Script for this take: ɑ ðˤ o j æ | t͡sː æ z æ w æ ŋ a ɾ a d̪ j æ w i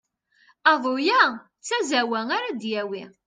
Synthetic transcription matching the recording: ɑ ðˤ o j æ | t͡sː æ z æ w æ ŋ a ɾ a d̪ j æ w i